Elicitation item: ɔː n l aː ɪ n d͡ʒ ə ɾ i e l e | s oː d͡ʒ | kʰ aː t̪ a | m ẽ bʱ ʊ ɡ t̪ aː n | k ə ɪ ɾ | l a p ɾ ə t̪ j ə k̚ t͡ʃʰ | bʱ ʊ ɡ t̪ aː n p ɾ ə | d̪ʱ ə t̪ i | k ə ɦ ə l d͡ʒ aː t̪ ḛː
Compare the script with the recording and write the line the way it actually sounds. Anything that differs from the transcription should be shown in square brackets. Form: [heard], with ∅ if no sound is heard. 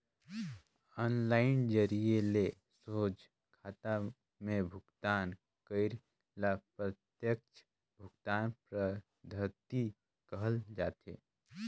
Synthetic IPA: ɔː n l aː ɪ n d͡ʒ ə ɾ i e l e | s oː d͡ʒ | kʰ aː t̪ a | m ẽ bʱ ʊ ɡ t̪ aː n | k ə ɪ ɾ | l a p ɾ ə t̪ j ə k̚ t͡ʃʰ | bʱ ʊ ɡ t̪ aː n p ɾ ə | d̪ʱ ə t̪ i | k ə ɦ ə l d͡ʒ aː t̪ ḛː